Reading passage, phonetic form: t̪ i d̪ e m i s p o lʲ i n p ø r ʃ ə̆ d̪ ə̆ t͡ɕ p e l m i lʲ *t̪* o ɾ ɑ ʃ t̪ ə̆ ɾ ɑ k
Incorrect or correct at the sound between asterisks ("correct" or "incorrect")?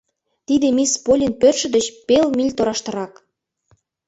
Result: correct